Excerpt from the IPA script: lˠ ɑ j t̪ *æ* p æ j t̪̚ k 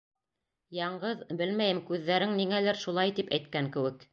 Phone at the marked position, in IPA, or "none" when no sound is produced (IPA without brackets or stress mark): i